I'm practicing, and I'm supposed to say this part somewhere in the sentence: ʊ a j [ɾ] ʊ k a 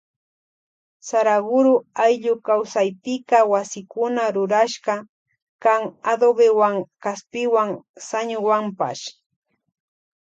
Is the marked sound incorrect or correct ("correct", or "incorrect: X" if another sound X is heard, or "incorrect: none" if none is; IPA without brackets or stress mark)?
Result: incorrect: ʎ